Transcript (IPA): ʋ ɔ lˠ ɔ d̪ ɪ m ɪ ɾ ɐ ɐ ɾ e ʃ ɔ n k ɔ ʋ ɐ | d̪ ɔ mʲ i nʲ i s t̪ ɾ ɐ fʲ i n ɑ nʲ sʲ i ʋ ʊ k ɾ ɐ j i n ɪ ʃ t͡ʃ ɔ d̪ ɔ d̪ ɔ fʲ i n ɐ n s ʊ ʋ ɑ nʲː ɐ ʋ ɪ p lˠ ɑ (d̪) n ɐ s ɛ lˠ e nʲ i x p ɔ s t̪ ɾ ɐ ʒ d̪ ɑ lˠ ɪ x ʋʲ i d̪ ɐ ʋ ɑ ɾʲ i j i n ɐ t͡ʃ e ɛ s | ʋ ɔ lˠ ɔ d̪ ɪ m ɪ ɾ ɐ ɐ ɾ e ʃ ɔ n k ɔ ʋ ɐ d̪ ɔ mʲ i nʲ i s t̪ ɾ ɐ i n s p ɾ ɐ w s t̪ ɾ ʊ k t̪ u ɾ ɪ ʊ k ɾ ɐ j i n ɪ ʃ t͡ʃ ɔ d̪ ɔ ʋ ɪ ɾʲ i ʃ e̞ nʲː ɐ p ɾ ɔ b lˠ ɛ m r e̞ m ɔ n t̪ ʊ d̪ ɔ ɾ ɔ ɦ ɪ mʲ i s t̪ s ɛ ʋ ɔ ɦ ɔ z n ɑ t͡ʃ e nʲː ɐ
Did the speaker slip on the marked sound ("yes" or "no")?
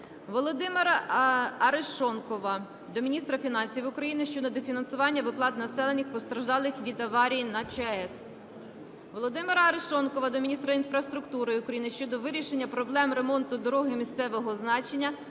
yes